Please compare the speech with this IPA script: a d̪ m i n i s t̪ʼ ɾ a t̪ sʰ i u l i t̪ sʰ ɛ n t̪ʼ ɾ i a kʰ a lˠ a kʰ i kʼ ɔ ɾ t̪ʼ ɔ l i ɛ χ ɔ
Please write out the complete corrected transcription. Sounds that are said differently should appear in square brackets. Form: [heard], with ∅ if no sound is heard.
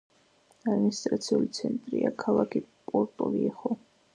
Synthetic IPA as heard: a d̪ m i n i s t̪ʼ ɾ a t̪ sʰ i u l i t̪ sʰ ɛ n t̪ʼ ɾ i a kʰ a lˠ a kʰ i [pʼ] ɔ ɾ t̪ʼ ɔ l i ɛ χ ɔ